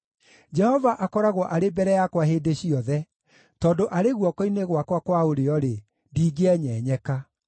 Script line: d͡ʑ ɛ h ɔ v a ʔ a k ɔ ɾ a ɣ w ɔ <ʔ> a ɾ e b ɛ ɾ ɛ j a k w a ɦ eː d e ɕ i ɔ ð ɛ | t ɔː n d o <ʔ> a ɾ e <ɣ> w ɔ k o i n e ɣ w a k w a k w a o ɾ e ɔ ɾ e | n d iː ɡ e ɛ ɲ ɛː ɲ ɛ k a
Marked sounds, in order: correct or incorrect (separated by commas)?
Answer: correct, correct, correct